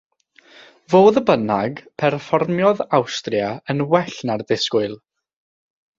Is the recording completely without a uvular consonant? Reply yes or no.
yes